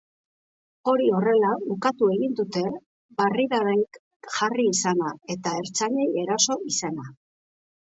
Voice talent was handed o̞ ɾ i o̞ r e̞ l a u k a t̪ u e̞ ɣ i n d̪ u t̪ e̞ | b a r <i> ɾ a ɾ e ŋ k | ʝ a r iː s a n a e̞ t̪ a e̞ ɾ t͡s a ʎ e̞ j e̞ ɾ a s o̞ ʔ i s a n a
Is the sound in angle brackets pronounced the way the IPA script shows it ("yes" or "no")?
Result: yes